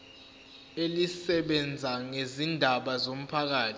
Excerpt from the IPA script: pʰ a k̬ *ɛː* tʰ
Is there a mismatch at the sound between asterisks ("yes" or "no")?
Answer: yes